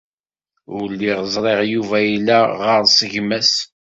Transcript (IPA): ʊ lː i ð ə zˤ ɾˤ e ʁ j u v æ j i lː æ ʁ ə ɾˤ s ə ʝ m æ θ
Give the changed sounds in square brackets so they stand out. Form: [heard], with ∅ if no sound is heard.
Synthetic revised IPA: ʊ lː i [ʁ] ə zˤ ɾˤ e ʁ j u v æ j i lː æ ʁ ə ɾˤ s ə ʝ m æ [s]